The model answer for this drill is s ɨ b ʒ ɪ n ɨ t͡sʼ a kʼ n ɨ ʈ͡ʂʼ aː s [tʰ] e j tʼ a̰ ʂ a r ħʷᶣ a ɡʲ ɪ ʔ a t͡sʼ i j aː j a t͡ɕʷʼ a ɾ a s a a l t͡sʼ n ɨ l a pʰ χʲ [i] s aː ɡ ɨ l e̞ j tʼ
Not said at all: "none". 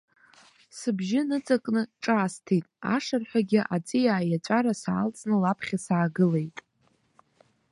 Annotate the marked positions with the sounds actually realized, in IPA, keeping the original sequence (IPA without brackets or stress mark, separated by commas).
tʰ, a